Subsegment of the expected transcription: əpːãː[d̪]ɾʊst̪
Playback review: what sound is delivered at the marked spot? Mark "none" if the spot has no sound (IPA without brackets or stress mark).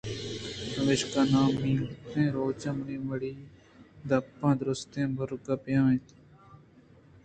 d̪